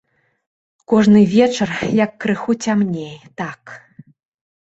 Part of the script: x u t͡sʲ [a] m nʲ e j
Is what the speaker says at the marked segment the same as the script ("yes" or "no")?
yes